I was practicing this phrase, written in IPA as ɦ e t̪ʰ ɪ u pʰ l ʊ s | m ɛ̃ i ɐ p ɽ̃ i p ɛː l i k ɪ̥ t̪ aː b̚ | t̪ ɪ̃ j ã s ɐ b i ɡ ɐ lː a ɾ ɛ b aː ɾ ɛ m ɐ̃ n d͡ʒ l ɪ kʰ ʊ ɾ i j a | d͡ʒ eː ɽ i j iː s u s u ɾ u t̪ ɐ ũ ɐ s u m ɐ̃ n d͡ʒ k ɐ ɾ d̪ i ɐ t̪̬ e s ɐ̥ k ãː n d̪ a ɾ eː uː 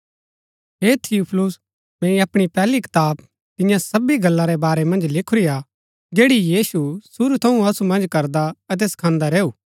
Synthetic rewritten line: ɦ e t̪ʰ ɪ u pʰ l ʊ s | m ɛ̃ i ɐ p ɽ̃ i p ɛː l i k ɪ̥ t̪ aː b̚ | t̪ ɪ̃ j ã s ɐ b i ɡ ɐ lː a ɾ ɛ b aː ɾ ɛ m ɐ̃ n d͡ʒ l ɪ kʰ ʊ ɾ i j a | d͡ʒ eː ɽ i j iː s u s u ɾ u t̪ʰ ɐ ũ ɐ s u m ɐ̃ n d͡ʒ k ɐ ɾ d̪ a ɐ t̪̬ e s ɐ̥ kʰ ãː n d̪ a ɾ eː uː